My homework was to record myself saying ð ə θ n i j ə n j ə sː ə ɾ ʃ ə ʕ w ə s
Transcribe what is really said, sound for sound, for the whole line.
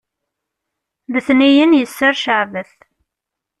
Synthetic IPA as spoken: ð ə θ n i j ə n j ə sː ə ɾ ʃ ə ʕ v ə θ